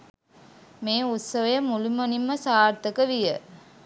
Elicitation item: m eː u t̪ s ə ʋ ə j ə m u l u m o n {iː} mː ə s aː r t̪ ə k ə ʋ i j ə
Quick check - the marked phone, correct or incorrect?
incorrect